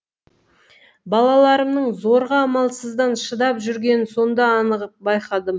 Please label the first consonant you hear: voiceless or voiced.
voiced